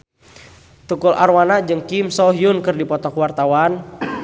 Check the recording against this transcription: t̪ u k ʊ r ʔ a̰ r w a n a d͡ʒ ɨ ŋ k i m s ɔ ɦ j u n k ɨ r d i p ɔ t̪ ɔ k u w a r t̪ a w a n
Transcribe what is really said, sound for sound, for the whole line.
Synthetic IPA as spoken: t̪ u k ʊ l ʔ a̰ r w a n a d͡ʒ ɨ ŋ k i m s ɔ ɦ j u n k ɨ r d i p ɔ t̪ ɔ k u w a r t̪ a w a n